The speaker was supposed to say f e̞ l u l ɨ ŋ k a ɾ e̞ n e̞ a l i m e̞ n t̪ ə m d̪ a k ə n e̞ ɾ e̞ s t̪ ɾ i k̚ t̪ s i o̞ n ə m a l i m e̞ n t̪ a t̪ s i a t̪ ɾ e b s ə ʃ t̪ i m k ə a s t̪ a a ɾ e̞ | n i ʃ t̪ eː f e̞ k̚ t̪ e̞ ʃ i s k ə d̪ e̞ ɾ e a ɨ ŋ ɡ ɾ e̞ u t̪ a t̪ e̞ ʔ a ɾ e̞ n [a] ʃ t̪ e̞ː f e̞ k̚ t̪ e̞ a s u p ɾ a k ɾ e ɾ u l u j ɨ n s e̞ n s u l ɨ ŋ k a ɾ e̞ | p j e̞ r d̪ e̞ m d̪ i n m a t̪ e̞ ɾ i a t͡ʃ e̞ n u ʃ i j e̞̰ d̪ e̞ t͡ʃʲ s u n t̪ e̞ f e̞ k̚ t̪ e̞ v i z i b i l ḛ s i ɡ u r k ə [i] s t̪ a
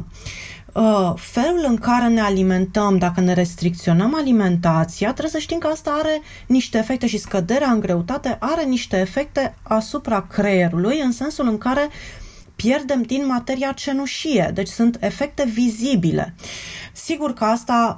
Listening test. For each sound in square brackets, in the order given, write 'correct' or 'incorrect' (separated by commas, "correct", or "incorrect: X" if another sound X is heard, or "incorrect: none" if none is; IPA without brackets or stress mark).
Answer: incorrect: i, incorrect: a